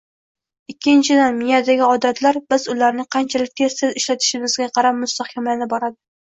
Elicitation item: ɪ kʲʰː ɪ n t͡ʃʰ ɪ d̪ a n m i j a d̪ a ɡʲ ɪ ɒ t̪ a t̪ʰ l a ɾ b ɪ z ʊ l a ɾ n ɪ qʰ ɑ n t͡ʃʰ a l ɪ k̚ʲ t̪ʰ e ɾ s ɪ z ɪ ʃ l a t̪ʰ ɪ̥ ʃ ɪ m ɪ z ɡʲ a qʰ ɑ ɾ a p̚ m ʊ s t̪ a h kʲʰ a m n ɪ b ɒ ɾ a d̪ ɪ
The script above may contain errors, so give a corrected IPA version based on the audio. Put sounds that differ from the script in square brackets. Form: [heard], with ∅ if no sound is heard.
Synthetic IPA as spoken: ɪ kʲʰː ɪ n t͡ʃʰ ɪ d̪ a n m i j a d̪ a ɡʲ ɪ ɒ [d̪] a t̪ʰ l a ɾ b ɪ z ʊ l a ɾ n ɪ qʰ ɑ n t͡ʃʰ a l ɪ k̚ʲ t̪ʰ e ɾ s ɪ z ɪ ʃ l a t̪ʰ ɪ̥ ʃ ɪ m ɪ z ɡʲ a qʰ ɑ ɾ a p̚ m ʊ s t̪ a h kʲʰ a m n ɪ b ɒ ɾ a d̪ ɪ